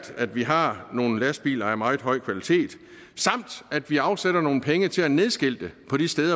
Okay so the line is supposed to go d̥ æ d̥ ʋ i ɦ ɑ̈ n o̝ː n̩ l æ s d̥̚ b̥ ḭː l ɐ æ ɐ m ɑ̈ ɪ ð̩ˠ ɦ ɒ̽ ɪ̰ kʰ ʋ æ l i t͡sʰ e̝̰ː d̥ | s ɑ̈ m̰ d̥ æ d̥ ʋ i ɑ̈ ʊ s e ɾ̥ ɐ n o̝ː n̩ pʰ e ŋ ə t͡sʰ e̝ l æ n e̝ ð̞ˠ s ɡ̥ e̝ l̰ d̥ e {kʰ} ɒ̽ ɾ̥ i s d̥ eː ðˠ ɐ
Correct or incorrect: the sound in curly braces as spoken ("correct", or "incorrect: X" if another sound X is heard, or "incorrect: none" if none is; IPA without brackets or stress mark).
incorrect: pʰ